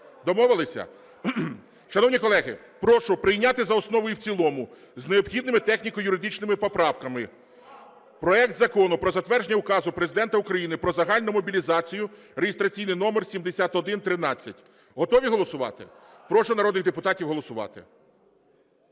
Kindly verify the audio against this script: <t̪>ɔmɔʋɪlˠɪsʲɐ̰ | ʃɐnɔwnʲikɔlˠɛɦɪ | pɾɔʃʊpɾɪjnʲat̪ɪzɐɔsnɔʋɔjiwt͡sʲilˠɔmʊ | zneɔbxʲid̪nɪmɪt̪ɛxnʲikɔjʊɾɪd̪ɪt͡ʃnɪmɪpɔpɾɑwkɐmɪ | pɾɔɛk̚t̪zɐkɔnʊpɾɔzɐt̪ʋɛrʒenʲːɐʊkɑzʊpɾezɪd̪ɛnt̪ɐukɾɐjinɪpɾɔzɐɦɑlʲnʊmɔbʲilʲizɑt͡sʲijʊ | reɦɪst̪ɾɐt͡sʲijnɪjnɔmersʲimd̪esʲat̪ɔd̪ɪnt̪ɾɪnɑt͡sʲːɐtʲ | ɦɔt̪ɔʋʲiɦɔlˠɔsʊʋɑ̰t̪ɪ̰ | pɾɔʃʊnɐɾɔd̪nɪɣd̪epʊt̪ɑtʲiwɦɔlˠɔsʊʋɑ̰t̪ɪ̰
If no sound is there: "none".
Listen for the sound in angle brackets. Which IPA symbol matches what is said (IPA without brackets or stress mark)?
d̪